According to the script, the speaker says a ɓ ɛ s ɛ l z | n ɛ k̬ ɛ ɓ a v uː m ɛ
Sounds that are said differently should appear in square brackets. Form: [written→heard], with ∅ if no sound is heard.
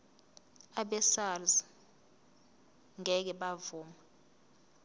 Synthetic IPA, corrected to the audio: a ɓ ɛ s [ɛ→a] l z | [n→ŋ] ɛ k̬ ɛ ɓ a v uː m [ɛ→a]